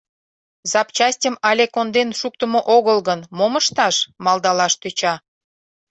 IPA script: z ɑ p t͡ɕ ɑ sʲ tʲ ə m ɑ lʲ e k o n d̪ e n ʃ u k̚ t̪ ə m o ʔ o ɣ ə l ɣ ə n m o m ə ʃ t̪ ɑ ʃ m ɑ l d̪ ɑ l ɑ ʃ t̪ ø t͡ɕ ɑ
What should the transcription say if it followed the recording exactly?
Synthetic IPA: z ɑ p t͡ɕ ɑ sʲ tʲ ə m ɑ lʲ e k o n d̪ e n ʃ u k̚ t̪ ə m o ʔ o ɣ ə l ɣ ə n m o m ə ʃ t̪ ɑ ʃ m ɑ l d̪ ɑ l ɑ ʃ t̪ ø t͡ɕ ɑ